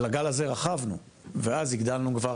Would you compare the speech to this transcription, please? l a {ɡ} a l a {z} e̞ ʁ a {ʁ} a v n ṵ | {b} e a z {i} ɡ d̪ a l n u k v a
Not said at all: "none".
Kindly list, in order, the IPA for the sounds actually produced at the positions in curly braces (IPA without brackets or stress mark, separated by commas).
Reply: ɡ, z, χ, v, i